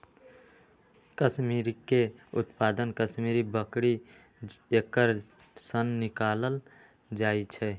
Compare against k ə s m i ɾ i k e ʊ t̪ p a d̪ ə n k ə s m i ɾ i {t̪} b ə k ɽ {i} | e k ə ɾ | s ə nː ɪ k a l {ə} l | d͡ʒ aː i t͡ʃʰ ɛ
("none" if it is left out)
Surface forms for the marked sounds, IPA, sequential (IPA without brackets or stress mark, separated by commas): none, i, ə